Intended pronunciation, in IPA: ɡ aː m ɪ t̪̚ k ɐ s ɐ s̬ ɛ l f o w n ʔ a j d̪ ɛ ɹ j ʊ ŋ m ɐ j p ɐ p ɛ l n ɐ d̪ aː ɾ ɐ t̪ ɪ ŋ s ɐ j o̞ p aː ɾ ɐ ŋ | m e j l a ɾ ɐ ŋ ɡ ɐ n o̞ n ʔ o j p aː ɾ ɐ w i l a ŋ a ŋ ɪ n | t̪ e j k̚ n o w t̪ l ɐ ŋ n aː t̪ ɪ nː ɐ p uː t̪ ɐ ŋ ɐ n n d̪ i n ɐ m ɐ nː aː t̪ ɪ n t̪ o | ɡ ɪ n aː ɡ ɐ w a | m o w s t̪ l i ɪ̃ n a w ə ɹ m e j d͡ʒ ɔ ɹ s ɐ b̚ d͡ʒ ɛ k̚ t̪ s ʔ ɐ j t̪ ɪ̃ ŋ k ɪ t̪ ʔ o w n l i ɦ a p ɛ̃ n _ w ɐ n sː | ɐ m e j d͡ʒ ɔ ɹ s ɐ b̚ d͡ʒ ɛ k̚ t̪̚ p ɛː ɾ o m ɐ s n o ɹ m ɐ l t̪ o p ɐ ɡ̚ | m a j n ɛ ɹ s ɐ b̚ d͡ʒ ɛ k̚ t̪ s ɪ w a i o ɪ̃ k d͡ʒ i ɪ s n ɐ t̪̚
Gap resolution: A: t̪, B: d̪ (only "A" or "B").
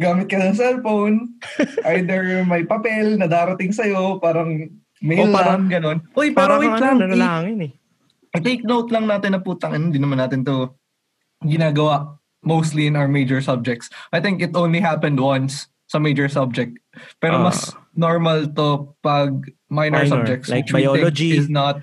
B